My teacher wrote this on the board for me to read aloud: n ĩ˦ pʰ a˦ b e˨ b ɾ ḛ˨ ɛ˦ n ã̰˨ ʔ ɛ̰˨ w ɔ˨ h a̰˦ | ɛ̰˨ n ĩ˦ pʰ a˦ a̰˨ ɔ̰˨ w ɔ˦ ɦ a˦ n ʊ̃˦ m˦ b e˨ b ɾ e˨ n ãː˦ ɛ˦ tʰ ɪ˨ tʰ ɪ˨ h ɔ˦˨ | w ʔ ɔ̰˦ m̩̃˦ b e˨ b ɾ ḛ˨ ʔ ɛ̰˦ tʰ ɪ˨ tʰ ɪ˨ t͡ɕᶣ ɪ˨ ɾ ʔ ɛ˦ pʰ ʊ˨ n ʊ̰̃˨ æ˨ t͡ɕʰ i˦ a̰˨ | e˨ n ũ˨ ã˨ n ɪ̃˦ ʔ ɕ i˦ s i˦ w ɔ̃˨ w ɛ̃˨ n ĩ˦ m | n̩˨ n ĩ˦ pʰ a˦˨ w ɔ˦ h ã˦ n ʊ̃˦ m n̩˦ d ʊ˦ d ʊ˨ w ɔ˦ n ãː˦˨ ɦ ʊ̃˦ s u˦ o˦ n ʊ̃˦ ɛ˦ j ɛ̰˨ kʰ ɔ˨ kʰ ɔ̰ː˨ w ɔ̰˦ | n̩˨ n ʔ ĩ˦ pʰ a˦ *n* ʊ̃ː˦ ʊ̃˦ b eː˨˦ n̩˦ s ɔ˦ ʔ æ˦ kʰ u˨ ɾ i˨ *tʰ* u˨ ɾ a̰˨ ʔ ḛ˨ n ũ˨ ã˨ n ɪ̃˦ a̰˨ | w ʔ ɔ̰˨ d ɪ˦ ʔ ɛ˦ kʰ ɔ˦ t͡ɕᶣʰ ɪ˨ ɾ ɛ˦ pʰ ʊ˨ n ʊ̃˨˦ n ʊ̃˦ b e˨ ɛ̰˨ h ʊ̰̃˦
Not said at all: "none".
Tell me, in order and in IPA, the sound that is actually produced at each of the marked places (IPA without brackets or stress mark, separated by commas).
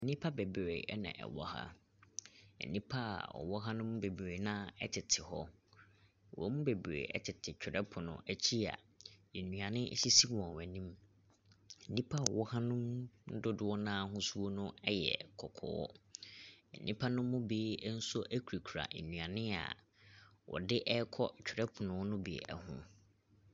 n, kʰ